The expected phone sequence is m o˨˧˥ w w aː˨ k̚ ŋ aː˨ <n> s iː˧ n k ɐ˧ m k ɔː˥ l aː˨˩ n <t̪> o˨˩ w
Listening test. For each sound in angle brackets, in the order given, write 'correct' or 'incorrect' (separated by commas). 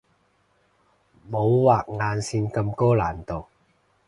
correct, correct